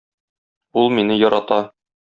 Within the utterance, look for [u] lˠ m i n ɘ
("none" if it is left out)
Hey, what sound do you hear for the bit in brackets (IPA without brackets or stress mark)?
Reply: u